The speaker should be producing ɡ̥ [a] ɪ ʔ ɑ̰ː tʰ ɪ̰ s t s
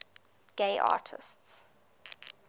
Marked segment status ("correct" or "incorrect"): incorrect